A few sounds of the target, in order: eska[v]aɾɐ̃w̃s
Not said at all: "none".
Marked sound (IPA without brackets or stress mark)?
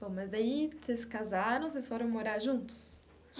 z